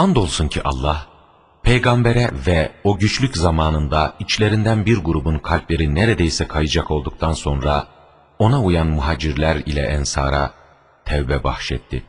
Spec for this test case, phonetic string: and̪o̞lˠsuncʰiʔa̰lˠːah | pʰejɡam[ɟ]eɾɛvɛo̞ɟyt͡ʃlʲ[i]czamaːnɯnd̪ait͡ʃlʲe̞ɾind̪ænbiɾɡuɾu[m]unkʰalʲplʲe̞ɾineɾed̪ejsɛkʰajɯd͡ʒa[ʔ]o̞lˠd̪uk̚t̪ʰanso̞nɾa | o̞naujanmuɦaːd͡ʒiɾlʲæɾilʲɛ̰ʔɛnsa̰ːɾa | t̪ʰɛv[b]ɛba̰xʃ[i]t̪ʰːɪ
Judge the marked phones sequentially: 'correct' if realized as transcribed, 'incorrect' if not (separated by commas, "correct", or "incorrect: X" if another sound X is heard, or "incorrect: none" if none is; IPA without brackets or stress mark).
incorrect: b, incorrect: y, incorrect: b, incorrect: k, correct, incorrect: ɛ